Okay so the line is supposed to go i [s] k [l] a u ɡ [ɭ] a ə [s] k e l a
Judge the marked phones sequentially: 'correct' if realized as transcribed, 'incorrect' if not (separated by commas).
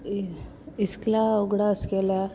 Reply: correct, correct, incorrect, correct